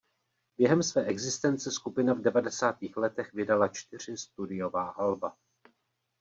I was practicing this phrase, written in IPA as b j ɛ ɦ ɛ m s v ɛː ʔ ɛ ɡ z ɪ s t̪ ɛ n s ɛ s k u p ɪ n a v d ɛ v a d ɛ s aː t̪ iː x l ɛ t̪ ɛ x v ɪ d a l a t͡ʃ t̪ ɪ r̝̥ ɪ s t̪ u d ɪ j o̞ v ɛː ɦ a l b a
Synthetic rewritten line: b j ɛ ɦ ɛ m s v ɛː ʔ ɛ ɡ z ɪ s t̪ ɛ n t͡s ɛ s k u p ɪ n a v d ɛ v a d ɛ s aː t̪ iː x l ɛ t̪ ɛ x v ɪ d a l a t͡ʃ t̪ ɪ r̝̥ ɪ s t̪ u d ɪ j o̞ v aː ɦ a l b a